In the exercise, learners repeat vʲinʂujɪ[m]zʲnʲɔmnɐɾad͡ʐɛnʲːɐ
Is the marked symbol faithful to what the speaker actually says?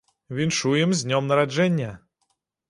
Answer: yes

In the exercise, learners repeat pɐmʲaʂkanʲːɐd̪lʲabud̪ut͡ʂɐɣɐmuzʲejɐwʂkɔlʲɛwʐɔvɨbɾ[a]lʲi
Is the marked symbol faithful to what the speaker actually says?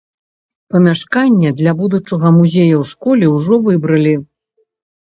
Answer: no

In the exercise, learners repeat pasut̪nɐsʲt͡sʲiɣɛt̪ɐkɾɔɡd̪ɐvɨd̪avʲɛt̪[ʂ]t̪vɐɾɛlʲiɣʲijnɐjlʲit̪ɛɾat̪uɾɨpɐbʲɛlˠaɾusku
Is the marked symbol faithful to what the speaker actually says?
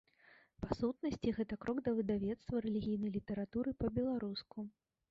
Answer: no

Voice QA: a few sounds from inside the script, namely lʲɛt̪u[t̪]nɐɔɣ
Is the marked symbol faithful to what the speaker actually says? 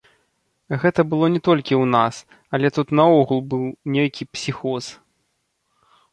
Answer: yes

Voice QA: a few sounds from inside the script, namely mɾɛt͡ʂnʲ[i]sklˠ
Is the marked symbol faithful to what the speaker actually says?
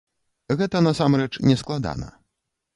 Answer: no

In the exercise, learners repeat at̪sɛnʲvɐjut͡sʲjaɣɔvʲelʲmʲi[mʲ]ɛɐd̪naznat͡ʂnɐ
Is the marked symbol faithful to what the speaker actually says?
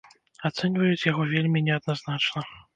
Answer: no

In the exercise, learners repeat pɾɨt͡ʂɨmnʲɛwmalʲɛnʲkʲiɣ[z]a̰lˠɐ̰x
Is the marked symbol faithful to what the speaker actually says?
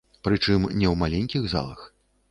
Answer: yes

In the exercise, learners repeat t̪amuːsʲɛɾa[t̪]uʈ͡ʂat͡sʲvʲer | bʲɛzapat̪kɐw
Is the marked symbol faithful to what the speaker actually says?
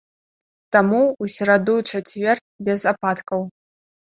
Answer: no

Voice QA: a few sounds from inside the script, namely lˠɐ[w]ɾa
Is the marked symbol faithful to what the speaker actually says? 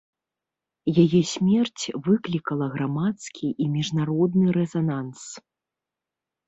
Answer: no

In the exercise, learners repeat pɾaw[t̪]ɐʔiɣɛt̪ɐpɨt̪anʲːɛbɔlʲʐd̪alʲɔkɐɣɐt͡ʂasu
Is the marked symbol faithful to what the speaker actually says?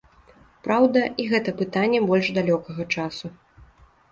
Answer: no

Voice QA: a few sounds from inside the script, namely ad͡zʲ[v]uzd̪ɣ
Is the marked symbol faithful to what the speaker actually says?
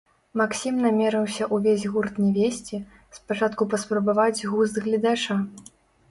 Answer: no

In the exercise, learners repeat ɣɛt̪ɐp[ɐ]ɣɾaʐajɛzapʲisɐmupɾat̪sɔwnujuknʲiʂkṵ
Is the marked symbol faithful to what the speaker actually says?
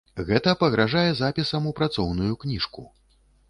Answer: yes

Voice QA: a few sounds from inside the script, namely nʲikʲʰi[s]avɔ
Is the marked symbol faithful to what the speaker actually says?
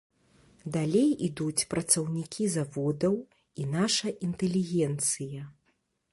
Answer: no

